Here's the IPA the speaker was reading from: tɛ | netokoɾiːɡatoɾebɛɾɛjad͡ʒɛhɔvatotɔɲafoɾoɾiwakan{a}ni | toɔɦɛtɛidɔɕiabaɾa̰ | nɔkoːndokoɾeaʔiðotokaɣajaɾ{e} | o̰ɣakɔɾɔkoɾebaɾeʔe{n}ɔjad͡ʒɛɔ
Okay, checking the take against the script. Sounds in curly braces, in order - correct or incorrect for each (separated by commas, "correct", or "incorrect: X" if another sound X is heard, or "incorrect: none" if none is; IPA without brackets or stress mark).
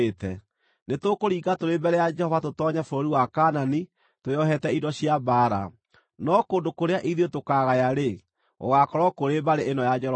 correct, correct, correct